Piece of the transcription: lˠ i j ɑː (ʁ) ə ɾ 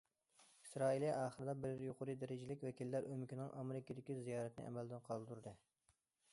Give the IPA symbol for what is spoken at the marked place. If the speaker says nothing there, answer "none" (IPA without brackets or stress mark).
χ